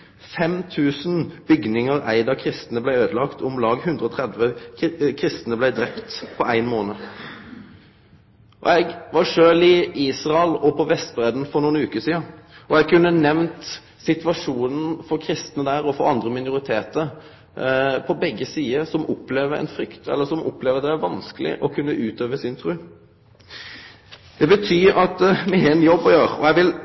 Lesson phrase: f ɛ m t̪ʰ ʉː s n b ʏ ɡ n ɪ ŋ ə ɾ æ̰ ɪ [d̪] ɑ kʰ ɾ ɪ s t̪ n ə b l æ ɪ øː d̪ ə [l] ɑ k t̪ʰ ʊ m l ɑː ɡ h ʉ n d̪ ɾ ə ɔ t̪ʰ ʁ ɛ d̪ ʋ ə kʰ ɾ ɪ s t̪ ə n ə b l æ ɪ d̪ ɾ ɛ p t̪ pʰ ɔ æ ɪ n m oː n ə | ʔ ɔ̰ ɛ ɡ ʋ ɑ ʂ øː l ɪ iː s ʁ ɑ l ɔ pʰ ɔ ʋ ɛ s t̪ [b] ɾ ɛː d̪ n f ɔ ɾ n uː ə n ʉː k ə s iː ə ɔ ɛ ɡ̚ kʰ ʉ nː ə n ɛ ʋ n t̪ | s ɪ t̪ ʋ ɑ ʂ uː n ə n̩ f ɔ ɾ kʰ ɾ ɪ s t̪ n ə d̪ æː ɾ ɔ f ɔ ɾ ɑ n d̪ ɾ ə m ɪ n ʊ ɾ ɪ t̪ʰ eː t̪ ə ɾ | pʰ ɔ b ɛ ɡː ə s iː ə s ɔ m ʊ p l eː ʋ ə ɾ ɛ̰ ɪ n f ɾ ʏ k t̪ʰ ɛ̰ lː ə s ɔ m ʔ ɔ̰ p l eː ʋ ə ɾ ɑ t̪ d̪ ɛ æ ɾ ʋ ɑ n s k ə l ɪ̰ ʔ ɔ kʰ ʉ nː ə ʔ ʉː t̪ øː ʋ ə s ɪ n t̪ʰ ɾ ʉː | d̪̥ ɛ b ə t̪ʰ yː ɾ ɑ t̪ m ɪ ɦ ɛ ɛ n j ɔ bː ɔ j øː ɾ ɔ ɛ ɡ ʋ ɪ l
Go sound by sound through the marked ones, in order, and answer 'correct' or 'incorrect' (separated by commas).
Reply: correct, correct, correct